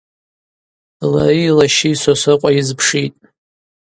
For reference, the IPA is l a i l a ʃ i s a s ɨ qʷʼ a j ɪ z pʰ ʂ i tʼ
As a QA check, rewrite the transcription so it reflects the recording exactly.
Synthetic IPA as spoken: l a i l a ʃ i s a s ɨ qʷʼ a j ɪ z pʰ ʂ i tʼ